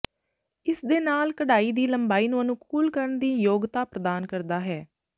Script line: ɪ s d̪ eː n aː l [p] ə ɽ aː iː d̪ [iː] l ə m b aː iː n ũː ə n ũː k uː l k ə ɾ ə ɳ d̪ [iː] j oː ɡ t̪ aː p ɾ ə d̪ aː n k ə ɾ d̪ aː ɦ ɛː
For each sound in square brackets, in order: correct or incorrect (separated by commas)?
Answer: incorrect, correct, correct